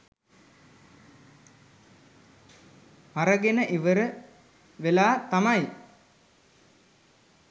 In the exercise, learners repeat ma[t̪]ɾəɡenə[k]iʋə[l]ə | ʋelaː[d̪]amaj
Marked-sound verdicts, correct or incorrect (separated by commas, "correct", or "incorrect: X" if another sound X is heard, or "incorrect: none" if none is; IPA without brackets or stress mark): incorrect: none, incorrect: ʔ, incorrect: ɾ, incorrect: t̪